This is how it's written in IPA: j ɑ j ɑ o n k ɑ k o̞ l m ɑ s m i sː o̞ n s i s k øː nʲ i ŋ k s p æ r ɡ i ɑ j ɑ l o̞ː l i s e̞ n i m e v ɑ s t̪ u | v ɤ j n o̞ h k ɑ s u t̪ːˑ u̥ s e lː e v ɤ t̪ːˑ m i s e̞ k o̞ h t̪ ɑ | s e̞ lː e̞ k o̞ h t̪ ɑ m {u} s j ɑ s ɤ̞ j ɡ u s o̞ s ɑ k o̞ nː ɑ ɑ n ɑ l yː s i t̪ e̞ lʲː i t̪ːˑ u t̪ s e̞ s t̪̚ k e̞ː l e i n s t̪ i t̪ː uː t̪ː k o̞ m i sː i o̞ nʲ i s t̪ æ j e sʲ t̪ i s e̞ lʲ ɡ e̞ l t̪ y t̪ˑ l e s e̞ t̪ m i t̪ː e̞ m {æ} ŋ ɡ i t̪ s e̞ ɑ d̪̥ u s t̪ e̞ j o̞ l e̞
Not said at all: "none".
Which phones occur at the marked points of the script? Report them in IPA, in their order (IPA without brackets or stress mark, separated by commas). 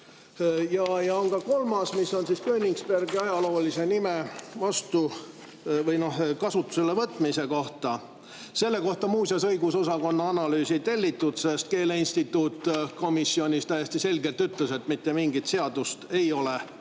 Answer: uː, i